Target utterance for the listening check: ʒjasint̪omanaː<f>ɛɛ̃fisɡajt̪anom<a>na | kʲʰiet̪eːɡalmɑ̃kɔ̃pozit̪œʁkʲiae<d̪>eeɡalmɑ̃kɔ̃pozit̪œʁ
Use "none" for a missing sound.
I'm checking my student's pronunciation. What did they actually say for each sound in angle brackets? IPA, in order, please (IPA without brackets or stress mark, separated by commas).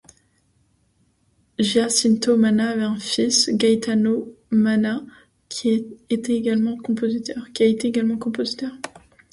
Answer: v, a, t̪